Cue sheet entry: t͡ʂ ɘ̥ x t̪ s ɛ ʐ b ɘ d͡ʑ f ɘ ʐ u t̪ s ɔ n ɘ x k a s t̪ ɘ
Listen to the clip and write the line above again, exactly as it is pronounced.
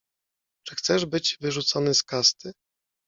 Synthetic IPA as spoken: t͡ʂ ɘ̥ x t̪ s ɛ ʐ b ɘ d͡ʑ v ɘ ʐ u t̪ s ɔ n ɘ s k a s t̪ ɘ

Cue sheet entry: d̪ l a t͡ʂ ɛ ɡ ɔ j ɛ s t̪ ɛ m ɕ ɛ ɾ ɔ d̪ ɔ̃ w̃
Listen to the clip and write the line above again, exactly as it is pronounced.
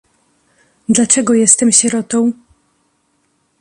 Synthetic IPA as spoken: d̪ l a t͡ʂ ɛ ɡ ɔ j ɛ s t̪ ɛ m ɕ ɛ ɾ ɔ t̪ ɔ̃ w̃

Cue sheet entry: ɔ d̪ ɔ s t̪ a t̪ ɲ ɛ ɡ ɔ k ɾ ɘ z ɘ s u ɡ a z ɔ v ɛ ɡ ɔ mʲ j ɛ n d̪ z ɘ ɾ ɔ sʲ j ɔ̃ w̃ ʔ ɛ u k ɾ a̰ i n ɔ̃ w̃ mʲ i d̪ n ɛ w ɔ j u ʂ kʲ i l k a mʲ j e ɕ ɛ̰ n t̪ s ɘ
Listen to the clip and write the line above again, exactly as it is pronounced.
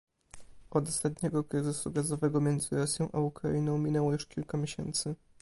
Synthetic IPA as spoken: ɔ d̪ ɔ s t̪ a t̪ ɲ ɛ ɡ ɔ k ɾ ɘ z ɘ s u ɡ a z ɔ v ɛ ɡ ɔ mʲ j ɛ n d̪ z ɘ ɾ ɔ sʲ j ɔ̃ w̃ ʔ a u k ɾ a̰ i n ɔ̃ w̃ mʲ i n ɛ w ɔ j u ʂ kʲ i l k a mʲ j e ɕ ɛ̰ n t̪ s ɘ

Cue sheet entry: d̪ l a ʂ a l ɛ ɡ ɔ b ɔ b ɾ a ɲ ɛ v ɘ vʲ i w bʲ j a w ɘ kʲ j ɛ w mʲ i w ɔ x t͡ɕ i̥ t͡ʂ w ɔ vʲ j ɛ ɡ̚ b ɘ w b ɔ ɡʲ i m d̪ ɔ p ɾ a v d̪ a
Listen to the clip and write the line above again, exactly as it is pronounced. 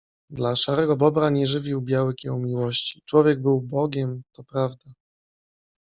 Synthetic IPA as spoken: d̪ l a ʂ a ɾ ɛ ɡ ɔ b ɔ b ɾ a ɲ ɛ ʐ ɘ vʲ i w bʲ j a w ɘ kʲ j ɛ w mʲ i w ɔ ɕ t͡ɕ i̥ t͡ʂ w ɔ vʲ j ɛ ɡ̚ b ɘ w b ɔ ɡʲ ɛ m t̪ ɔ p ɾ a v d̪ a

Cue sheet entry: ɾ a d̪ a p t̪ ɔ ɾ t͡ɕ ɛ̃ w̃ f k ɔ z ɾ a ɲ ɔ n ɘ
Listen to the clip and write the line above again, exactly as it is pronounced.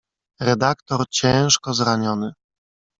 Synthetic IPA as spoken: ɾ ɛ d̪ a k t̪ ɔ ɾ t͡ɕ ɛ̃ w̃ ʂ k ɔ z ɾ a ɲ ɔ n ɘ

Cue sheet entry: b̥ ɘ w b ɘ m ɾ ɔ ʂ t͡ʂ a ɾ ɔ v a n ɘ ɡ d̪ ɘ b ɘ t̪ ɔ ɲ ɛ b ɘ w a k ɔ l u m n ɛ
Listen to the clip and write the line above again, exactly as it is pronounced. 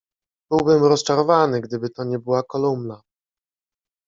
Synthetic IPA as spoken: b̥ ɘ w b ɘ m ɾ ɔ s t͡ʂ a ɾ ɔ v a n ɘ ɡ d̪ ɘ b ɘ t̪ ɔ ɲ ɛ b ɘ w a k ɔ l u m n a

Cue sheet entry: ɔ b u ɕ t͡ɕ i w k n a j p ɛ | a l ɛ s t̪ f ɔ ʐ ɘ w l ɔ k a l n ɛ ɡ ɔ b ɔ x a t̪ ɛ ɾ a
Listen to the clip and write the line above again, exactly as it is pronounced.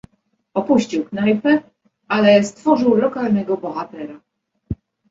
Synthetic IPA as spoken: ɔ p u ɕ t͡ɕ i w k n a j p ɛ | a l ɛ s t̪ f ɔ ʐ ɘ w l ɔ k a l n ɛ ɡ ɔ b ɔ x a t̪ ɛ ɾ a

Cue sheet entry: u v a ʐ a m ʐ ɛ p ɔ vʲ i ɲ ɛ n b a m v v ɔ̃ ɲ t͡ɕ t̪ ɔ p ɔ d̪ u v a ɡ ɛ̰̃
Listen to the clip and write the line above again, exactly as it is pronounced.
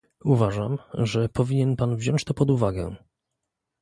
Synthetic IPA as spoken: u v a ʐ a m ʐ ɛ p ɔ vʲ i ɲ ɛ n p a n v ʑ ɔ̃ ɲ t͡ɕ t̪ ɔ p ɔ d̪ u v a ɡ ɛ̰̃

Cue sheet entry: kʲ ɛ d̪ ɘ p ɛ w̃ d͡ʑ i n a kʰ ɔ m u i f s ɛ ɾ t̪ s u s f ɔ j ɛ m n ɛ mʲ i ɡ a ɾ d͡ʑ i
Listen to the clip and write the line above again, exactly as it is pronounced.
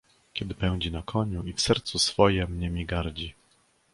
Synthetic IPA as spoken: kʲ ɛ d̪ ɘ p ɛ w̃ d͡ʑ i n a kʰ ɔ ɲ u i f s ɛ ɾ t̪ s u s f ɔ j ɛ m ɲ ɛ mʲ i ɡ a ɾ d͡ʑ i

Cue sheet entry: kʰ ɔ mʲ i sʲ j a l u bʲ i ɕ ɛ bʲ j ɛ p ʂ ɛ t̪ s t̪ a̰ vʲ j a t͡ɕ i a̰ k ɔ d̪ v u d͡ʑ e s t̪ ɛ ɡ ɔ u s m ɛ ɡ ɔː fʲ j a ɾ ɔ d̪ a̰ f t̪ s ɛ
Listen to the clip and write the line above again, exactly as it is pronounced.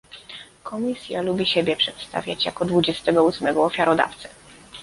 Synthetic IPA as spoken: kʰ ɔ mʲ i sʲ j a l u bʲ i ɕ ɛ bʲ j ɛ p ʂ ɛ t̪ s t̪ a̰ vʲ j a t͡ɕ j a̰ k ɔ d̪ v u d͡ʑ ɛ s t̪ ɛ ɡ ɔ u s m ɛ ɡ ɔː fʲ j a ɾ ɔ d̪ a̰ f t̪ s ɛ

